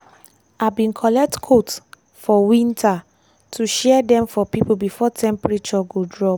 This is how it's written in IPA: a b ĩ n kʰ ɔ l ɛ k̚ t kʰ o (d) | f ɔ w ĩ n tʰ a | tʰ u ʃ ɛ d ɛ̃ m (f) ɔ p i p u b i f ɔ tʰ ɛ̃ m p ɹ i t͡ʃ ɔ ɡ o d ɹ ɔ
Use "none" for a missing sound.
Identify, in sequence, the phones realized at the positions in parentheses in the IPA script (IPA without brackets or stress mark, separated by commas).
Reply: t, f